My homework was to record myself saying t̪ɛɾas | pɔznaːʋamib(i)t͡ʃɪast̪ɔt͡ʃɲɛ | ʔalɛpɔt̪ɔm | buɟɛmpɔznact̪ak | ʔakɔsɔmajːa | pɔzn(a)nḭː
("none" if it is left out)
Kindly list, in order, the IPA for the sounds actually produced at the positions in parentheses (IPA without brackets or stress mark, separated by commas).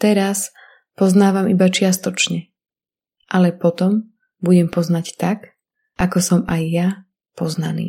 a, a